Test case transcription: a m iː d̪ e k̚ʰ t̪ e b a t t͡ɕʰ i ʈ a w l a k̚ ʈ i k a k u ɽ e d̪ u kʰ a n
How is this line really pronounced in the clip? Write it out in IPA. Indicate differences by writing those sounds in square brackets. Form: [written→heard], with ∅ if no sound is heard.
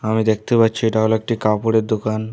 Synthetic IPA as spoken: a m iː d̪ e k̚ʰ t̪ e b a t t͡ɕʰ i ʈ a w l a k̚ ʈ i k a [k→p] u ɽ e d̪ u [kʰ→k] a n